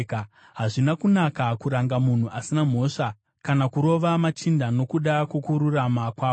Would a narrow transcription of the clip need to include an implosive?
yes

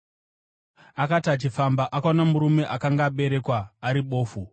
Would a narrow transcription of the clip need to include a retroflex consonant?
no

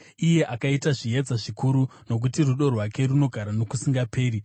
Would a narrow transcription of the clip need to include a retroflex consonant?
yes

